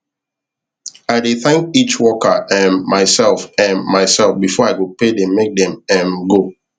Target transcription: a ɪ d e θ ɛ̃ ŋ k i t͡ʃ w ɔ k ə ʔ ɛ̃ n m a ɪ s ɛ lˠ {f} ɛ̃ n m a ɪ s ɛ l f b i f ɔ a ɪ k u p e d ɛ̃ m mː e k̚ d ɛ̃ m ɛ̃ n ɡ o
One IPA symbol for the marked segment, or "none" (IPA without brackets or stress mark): f